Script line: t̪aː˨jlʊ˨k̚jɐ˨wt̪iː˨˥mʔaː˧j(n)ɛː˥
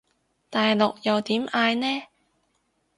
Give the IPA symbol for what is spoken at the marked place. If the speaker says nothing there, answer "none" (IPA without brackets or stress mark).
n